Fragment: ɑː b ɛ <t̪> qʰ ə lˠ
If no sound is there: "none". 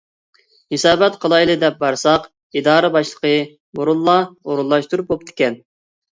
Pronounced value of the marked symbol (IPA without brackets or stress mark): t̪